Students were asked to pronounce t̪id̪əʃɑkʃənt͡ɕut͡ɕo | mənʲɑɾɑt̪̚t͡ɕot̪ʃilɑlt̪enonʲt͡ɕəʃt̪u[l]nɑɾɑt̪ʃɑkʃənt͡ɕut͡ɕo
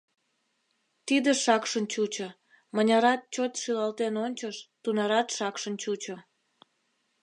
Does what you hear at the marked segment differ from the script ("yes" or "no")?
yes